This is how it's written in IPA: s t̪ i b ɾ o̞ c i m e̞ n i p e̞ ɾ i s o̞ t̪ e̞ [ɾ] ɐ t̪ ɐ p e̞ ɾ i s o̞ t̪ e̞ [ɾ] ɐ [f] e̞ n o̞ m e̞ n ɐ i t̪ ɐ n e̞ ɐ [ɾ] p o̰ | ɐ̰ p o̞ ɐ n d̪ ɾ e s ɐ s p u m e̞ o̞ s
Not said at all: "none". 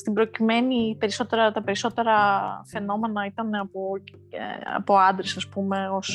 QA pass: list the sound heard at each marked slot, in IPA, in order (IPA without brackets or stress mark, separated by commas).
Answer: ɾ, ɾ, f, none